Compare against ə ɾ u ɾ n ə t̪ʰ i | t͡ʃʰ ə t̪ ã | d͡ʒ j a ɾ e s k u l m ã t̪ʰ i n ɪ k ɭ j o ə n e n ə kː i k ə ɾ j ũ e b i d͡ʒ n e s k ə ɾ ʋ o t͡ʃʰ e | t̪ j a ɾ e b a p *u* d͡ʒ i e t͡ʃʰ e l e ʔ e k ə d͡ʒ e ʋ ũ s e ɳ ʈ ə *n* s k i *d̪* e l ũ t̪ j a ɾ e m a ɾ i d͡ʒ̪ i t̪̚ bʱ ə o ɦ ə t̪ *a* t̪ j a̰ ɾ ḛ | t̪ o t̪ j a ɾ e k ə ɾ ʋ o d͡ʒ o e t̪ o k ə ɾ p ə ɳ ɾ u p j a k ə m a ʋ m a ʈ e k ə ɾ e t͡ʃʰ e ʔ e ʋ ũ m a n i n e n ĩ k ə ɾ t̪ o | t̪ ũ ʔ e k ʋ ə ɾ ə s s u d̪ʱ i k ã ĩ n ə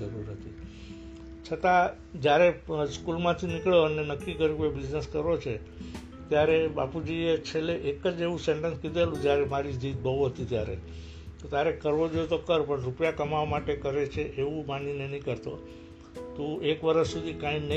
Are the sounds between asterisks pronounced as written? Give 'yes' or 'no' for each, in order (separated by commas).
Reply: yes, yes, yes, no